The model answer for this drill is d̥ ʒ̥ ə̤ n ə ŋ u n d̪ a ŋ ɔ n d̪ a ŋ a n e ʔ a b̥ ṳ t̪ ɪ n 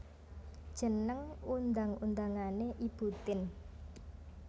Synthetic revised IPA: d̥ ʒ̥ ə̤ n ə ŋ u n d̪ a ŋ u n d̪ a ŋ a n e ʔ i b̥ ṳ t̪ ɪ n